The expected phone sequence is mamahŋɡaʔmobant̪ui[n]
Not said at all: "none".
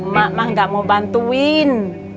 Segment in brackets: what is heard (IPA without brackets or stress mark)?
n